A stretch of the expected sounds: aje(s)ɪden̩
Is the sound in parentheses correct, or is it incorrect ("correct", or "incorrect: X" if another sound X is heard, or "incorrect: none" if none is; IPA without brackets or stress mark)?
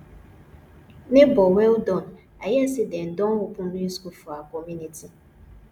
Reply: correct